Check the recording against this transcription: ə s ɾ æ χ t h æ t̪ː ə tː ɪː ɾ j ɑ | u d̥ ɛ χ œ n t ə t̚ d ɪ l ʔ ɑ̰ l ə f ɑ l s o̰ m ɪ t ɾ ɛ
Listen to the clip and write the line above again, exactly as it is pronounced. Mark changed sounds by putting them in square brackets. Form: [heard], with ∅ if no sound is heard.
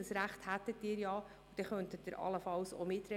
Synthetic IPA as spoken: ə s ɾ æ χ t h æ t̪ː ə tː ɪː ɾ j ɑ | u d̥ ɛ χ œ n t ə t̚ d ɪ [ɾ] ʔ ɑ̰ l ə f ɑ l s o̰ m ɪ t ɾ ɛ